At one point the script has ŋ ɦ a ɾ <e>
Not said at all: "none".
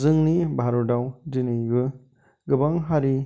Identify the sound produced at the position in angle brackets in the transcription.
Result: i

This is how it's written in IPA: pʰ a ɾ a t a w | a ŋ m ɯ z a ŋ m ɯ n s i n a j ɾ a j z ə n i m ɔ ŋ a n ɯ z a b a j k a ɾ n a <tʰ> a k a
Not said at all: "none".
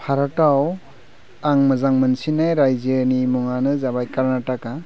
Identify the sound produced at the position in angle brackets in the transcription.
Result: t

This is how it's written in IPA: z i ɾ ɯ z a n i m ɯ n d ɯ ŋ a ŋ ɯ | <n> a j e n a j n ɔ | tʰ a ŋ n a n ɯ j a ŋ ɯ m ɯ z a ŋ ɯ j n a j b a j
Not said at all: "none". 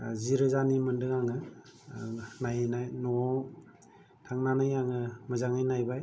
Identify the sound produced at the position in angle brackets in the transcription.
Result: n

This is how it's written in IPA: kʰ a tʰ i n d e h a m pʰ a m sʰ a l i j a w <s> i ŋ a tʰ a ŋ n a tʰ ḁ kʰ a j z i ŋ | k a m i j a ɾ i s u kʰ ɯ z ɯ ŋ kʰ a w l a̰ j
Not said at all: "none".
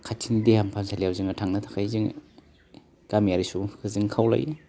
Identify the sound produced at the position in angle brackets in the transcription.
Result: z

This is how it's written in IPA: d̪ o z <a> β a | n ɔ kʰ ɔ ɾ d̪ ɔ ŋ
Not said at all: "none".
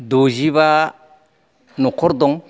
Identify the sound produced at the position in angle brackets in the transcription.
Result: i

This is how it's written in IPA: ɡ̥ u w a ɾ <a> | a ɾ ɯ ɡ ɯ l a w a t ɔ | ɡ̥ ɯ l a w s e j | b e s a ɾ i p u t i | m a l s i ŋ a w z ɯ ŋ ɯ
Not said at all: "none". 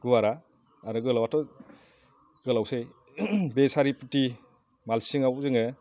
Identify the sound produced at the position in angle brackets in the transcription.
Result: a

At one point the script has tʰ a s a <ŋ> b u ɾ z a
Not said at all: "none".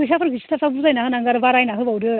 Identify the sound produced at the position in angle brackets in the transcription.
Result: none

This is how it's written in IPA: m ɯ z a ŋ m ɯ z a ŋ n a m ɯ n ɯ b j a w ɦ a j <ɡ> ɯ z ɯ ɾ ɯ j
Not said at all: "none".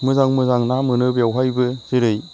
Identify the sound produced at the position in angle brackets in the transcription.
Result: b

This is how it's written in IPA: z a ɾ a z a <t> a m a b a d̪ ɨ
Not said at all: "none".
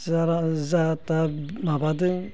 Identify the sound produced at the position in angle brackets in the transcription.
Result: t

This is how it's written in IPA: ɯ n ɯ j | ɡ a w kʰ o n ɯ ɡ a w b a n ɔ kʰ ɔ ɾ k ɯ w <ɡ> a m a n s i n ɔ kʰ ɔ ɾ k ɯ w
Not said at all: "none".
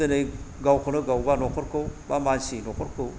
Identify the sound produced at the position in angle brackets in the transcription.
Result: b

